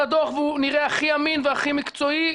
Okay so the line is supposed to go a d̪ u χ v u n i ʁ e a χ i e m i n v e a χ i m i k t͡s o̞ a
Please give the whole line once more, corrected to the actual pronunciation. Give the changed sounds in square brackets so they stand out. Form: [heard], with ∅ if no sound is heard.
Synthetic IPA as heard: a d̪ [o] χ v u n i ʁ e a χ i [a] m i n v e a χ i m i k t͡s o̞ [i]